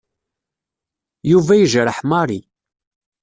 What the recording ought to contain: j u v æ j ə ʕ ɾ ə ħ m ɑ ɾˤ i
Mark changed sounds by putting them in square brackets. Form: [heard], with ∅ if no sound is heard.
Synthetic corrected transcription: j u v æ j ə [ʒ] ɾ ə ħ m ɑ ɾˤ i